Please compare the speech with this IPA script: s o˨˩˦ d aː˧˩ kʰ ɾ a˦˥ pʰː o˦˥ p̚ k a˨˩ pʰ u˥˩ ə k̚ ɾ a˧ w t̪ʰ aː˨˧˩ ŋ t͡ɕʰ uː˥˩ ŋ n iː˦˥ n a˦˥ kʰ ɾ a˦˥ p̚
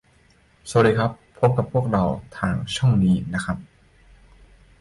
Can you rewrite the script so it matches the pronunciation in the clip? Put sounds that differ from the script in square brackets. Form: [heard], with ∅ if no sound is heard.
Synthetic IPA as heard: s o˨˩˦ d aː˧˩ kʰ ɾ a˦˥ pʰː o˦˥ p̚ k a˨˩ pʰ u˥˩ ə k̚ ɾ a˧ w t̪ʰ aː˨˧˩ ŋ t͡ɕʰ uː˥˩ ŋ n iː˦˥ n a˦˥ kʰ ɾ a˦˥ p̚